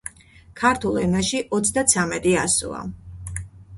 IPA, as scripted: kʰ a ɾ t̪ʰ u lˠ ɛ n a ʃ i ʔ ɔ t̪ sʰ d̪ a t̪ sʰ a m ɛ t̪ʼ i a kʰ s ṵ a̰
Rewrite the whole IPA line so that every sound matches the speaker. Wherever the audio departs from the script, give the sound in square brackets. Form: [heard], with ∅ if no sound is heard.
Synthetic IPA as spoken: kʰ a ɾ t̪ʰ u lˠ ɛ n a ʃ i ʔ ɔ t̪ sʰ d̪ a t̪ sʰ a m ɛ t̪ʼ i a [∅] s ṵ a̰

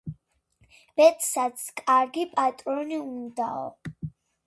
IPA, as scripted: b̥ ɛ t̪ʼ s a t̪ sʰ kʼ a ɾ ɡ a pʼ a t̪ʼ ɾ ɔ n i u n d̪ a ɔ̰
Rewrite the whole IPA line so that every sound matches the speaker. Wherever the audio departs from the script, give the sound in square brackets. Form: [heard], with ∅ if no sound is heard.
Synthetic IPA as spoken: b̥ ɛ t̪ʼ s a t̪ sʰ kʼ a ɾ ɡ [i] pʼ a t̪ʼ ɾ ɔ n i u n d̪ a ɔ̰

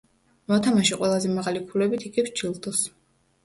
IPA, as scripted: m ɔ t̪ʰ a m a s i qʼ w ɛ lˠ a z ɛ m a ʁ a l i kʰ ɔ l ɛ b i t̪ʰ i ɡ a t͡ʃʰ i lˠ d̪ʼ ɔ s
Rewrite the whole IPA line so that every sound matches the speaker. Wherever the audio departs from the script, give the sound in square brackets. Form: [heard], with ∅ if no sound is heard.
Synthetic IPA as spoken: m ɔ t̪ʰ a m a [ʃ] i qʼ w ɛ lˠ a z ɛ m a ʁ a l i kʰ [u] l ɛ b i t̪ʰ i ɡ [i] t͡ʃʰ i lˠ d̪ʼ ɔ s

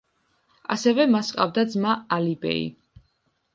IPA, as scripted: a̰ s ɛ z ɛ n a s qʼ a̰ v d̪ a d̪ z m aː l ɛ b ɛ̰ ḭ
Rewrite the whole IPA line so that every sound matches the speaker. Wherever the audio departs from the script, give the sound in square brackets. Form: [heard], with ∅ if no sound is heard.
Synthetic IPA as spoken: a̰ s ɛ [v] ɛ [m] a s qʼ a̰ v d̪ a d̪ z m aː l [i] b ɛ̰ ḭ

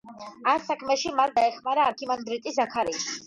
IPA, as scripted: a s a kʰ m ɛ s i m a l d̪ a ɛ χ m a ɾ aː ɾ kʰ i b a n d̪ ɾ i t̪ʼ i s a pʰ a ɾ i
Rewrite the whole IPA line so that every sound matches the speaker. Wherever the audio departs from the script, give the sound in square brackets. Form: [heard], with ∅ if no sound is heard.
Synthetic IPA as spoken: a s a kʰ m ɛ [ʃ] i m a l d̪ a ɛ χ m a ɾ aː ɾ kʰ i [m] a n d̪ ɾ i t̪ʼ i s a [kʰ] a ɾ i

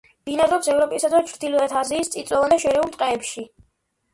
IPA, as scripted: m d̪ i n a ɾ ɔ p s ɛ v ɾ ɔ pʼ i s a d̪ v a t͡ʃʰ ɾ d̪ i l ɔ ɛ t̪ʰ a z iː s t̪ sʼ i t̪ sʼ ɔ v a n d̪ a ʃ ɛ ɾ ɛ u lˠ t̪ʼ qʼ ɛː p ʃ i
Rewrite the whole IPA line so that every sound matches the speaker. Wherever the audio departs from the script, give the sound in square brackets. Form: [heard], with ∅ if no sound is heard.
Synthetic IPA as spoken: m d̪ i n a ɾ ɔ p s ɛ v ɾ ɔ pʼ i s a d̪ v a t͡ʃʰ ɾ d̪ i l ɔ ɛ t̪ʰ a z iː s t̪ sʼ i t̪ sʼ ɔ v a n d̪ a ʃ ɛ ɾ ɛ u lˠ t̪ʼ qʼ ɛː p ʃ i

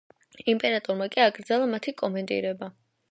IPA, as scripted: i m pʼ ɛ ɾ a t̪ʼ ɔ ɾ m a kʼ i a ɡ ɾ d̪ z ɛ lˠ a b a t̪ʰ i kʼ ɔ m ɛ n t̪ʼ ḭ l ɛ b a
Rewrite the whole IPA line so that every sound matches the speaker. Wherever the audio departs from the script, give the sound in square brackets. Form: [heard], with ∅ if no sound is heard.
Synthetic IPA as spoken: i m pʼ ɛ ɾ a t̪ʼ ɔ ɾ m a kʼ i a ɡ ɾ d̪ z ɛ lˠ a [m] a t̪ʰ i kʼ ɔ m ɛ n t̪ʼ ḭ [ɾ] ɛ b a

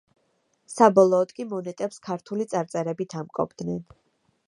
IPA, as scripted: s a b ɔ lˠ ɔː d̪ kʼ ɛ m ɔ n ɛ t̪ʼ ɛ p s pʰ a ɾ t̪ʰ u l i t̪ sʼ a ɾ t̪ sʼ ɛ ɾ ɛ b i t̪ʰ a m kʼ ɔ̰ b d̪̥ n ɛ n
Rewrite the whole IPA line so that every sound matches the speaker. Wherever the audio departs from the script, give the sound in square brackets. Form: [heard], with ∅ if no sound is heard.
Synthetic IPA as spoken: s a b ɔ lˠ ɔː d̪ kʼ [i] m ɔ n ɛ t̪ʼ ɛ p s [kʰ] a ɾ t̪ʰ u l i t̪ sʼ a ɾ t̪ sʼ ɛ ɾ ɛ b i t̪ʰ a m kʼ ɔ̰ b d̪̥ n ɛ n

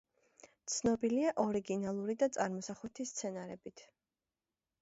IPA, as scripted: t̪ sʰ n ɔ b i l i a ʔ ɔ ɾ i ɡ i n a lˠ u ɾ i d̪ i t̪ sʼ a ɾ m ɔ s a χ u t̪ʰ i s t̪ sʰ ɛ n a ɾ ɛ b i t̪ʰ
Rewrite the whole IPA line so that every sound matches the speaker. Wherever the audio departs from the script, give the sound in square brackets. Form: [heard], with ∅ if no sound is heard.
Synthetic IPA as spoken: t̪ sʰ n ɔ b i l i a ʔ ɔ ɾ i ɡ i n a lˠ u ɾ i d̪ [a] t̪ sʼ a ɾ m ɔ s a χ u t̪ʰ i s t̪ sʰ ɛ n a ɾ ɛ b i t̪ʰ

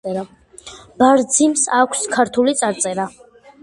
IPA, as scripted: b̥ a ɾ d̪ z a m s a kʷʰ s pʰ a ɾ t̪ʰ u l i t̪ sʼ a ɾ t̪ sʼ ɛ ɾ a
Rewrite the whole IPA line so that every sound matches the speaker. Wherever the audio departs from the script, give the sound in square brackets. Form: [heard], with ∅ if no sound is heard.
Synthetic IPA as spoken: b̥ a ɾ d̪ z [i] m s a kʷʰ s [kʰ] a ɾ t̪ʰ u l i t̪ sʼ a ɾ t̪ sʼ ɛ ɾ a

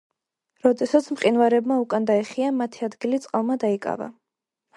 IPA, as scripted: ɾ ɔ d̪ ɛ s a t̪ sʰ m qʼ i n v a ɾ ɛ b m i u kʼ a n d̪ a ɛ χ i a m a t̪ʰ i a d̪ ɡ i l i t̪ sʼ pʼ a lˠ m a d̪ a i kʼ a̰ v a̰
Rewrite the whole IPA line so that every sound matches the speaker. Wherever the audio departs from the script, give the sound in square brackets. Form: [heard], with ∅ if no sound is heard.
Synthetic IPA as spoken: ɾ ɔ d̪ ɛ s a t̪ sʰ m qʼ i n v a ɾ ɛ b m [a] u kʼ a n d̪ a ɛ χ i a m a t̪ʰ i a d̪ ɡ i l i t̪ sʼ [qʼ] a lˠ m a d̪ a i kʼ a̰ v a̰

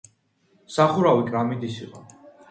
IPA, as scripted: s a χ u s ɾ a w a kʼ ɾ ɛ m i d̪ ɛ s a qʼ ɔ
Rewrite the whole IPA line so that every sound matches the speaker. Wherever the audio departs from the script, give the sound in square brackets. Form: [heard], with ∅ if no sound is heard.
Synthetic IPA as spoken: s a χ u [∅] ɾ a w [i] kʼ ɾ [a] m i d̪ [i] s [i] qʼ ɔ

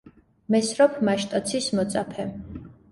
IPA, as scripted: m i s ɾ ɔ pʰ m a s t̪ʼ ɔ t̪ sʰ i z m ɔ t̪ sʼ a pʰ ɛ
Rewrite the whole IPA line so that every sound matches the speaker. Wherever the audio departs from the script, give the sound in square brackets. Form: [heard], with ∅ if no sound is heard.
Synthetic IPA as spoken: m [ɛ] s ɾ ɔ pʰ m a [ʃ] t̪ʼ ɔ t̪ sʰ i [s] m ɔ t̪ sʼ a pʰ ɛ

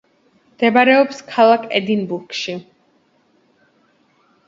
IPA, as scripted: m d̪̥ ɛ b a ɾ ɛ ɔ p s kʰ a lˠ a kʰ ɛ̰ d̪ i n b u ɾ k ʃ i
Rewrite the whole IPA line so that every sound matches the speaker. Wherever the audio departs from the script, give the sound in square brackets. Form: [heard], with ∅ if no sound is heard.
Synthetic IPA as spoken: m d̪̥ ɛ b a ɾ ɛ ɔ p s kʰ a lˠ a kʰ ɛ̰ d̪ i n b u ɾ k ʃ i

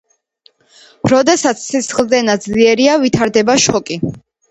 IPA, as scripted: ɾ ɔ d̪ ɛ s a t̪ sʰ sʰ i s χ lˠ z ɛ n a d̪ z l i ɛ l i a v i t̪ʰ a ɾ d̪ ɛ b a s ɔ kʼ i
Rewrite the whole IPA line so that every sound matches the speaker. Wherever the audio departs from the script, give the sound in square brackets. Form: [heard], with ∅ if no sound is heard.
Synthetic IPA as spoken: ɾ ɔ d̪ ɛ s a t̪ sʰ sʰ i s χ lˠ z ɛ n a d̪ z l i ɛ [ɾ] i a v i t̪ʰ a ɾ d̪ ɛ b a [ʃ] ɔ kʼ i

